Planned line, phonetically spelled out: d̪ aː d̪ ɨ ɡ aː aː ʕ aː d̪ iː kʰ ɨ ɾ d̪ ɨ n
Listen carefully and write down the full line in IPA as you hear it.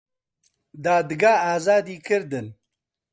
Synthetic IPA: d̪ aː d̪ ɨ ɡ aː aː z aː d̪ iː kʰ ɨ ɾ d̪ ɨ n

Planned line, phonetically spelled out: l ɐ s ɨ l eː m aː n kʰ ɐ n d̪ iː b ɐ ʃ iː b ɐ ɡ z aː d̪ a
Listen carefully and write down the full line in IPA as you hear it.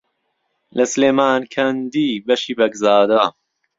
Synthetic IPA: l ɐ s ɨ l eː m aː n kʰ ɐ n d̪ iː b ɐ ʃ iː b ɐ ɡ z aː d̪ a

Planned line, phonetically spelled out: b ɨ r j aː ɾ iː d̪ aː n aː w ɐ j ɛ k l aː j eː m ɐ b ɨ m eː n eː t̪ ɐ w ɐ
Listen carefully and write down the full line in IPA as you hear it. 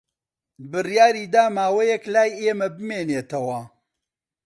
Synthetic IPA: b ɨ r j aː ɾ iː d̪ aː m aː w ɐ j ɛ k l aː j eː m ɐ b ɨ m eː n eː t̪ ɐ w ɐ

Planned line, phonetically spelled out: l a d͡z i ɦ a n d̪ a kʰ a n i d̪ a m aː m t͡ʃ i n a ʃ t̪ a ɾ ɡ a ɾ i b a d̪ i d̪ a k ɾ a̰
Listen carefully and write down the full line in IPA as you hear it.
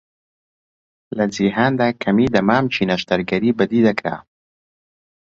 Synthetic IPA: l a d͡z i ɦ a n d̪ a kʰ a m i d̪ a m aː m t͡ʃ i n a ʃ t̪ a ɾ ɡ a ɾ i b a d̪ i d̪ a k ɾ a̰

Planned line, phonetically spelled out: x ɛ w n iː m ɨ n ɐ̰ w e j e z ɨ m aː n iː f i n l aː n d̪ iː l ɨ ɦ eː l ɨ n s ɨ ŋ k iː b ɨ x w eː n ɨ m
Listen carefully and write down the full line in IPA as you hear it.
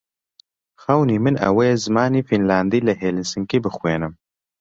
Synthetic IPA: x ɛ w n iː m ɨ n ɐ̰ w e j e z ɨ m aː n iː f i n l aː n d̪ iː l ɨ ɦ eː l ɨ n s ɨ ŋ k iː b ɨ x w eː n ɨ m

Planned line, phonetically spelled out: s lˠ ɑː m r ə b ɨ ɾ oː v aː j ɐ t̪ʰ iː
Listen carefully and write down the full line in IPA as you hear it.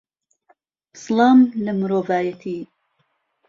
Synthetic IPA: s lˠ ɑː m l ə m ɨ ɾ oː v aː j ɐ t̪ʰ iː

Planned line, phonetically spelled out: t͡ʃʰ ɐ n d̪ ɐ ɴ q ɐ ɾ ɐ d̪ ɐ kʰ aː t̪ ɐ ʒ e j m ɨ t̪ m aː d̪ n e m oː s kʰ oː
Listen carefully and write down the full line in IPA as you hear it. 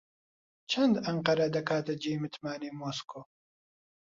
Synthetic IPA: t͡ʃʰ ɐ n d̪ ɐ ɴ q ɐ ɾ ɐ d̪ ɐ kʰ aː t̪ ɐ d͡ʒ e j m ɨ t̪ m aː n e m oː s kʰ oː

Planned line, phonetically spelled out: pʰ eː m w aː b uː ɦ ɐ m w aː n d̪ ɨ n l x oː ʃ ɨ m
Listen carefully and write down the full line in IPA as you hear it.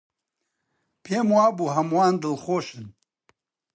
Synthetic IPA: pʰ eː m w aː b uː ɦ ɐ m w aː n d̪ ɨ l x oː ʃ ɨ n

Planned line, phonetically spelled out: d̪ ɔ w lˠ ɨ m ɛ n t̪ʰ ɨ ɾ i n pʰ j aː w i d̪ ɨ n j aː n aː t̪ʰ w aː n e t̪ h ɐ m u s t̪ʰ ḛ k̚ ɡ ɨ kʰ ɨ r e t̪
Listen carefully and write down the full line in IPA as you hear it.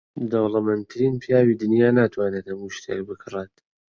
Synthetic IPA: d̪ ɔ w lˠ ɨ m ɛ n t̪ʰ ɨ ɾ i n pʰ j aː w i d̪ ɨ n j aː n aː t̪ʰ w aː n e t̪ h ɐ m u ʃ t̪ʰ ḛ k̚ b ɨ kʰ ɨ r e t̪

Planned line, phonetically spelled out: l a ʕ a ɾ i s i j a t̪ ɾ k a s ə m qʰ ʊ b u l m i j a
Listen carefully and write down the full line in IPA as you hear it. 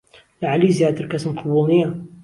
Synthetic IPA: l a ʕ a l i z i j a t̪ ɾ k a s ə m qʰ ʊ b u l n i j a

